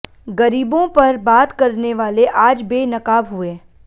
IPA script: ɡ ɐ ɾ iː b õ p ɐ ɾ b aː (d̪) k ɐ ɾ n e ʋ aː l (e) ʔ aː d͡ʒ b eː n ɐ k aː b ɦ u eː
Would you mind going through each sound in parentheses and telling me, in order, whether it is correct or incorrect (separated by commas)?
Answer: incorrect, correct